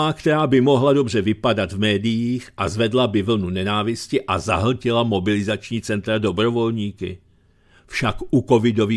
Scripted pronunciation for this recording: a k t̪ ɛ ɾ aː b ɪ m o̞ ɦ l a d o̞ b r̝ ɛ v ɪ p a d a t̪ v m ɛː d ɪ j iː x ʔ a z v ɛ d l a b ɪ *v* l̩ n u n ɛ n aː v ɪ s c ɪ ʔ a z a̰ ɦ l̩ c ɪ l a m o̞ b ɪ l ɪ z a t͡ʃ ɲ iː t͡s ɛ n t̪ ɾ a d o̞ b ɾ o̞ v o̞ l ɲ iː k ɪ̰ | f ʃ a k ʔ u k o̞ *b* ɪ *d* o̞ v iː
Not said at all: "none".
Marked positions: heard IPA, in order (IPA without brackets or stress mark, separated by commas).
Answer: v, v, d